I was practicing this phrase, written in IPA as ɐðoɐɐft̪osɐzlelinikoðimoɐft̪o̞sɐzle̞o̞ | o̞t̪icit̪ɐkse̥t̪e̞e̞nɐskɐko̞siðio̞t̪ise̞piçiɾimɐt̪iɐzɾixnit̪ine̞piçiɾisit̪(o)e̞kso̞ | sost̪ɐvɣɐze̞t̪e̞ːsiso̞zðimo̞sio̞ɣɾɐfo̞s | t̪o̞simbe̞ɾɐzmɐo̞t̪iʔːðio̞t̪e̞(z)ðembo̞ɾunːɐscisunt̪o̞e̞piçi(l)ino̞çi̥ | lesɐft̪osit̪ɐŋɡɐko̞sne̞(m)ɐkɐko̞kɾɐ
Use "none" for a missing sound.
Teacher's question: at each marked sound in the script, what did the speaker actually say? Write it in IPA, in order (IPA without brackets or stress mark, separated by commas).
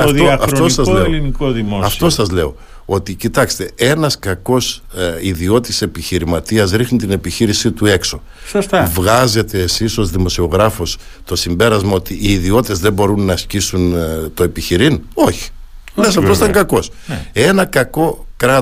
u, z, ɾ, n